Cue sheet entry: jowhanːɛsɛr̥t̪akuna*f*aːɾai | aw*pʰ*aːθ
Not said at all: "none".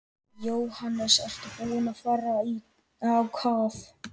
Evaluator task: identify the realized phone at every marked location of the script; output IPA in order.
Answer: f, kʰ

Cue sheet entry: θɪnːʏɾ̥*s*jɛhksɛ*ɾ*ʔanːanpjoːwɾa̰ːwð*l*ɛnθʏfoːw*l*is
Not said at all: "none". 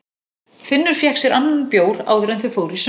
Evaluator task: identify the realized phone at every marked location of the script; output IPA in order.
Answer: f, ɾ, ɾ, ɾ

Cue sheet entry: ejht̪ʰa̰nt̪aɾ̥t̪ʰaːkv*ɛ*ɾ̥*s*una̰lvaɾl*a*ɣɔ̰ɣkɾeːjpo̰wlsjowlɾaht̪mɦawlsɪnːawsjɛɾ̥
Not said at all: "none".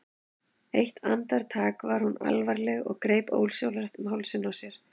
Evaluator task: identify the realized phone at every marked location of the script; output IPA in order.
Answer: a, h, ɛ

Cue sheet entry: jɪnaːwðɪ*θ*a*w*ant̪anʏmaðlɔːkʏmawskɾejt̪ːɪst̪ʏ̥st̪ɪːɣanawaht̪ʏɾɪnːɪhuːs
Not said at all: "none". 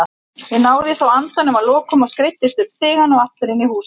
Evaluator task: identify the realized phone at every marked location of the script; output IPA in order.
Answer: θ, w

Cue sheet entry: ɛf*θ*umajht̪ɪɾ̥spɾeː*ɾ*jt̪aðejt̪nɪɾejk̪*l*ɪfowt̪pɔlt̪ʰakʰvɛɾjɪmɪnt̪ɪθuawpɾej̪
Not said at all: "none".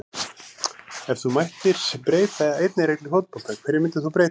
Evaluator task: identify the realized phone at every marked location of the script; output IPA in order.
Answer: θ, none, l

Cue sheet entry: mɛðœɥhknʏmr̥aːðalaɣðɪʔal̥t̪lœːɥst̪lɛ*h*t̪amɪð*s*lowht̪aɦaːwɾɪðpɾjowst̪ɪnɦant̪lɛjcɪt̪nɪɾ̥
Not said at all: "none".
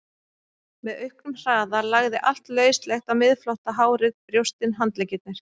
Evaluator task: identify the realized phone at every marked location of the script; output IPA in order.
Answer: x, f

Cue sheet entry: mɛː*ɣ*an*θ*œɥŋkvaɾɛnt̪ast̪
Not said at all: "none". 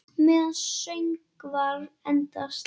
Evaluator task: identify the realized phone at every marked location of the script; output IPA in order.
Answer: ð, s

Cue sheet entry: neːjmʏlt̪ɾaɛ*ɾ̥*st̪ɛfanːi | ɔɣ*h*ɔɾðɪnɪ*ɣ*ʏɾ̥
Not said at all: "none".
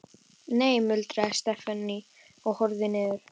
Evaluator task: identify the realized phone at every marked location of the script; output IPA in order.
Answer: none, h, ð

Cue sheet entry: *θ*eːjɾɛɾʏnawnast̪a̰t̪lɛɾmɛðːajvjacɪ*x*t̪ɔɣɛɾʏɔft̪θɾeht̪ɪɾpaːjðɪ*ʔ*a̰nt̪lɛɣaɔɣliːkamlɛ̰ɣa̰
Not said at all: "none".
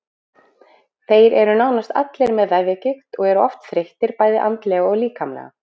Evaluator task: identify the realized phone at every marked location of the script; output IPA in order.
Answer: θ, x, ʔ

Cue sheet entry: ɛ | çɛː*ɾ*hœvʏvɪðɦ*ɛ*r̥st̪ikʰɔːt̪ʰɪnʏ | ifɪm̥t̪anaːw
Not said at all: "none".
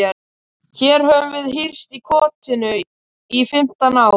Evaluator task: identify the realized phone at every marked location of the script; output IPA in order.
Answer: ɾ, i

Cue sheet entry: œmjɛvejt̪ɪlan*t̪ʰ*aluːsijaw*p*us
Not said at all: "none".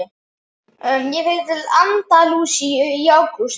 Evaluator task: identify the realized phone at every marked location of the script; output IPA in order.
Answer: t̪, k

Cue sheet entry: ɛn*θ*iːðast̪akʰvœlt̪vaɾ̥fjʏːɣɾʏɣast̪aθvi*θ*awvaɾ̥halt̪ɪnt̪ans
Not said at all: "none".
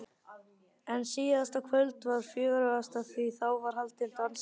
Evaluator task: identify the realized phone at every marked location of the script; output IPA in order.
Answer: s, θ

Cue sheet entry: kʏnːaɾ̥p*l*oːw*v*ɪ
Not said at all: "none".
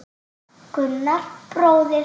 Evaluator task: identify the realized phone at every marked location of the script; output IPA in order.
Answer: ɾ, ð

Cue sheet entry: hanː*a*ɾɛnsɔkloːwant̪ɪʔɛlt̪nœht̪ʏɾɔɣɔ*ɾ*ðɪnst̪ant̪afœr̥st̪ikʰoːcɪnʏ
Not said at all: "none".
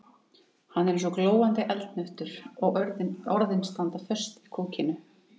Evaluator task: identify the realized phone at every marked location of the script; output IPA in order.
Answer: ɛ, ɾ

